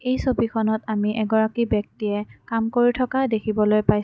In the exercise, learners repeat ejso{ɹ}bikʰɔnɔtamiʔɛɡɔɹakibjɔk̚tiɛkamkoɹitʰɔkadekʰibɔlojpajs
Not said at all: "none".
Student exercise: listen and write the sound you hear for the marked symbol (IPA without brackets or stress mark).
none